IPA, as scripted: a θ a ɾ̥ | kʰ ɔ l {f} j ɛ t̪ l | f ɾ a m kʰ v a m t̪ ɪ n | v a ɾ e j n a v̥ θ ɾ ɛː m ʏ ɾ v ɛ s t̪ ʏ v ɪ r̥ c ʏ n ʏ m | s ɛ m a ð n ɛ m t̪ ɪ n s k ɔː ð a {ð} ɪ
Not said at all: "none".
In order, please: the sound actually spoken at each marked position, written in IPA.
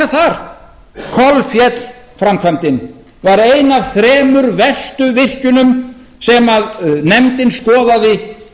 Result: f, ð

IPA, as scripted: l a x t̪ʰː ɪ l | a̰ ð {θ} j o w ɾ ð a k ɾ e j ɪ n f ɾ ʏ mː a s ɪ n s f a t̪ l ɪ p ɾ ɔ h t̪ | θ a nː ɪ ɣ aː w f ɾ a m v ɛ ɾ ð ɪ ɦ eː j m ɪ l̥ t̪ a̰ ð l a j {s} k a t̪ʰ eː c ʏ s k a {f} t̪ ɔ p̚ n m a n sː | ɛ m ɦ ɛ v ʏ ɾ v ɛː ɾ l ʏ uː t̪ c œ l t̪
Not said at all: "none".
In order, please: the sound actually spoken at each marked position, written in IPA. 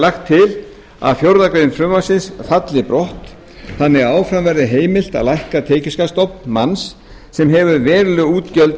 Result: f, h, s

